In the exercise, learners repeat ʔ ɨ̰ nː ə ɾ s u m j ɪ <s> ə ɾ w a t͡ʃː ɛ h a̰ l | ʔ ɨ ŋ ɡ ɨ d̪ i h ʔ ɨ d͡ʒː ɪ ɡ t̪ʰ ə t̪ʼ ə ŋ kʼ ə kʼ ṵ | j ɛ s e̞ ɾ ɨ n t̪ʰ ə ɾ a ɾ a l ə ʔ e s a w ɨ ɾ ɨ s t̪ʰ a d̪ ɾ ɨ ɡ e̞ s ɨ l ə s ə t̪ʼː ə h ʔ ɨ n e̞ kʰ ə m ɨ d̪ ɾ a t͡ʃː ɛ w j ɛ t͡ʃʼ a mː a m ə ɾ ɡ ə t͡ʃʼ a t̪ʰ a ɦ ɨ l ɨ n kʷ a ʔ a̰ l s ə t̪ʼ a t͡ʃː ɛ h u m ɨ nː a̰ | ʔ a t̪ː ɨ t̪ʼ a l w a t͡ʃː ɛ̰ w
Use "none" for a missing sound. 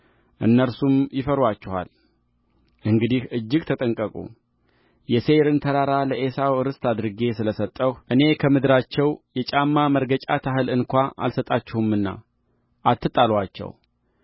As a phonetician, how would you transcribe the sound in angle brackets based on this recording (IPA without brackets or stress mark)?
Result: f